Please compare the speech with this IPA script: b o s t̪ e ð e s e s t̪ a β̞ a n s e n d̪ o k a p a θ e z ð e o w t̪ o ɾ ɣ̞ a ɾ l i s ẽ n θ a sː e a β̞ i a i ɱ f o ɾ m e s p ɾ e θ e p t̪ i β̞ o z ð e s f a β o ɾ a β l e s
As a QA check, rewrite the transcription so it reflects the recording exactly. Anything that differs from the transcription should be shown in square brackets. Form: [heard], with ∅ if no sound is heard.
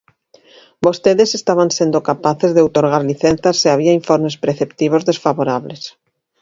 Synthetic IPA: b o s t̪ e ð e s e s t̪ a β̞ a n s e n d̪ o k a p a θ e z ð e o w t̪ o ɾ ɣ̞ a ɾ l i [θ] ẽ n θ a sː e a β̞ i a i ɱ f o ɾ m e s p ɾ e θ e p t̪ i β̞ o z ð e s f a β o ɾ a β l e s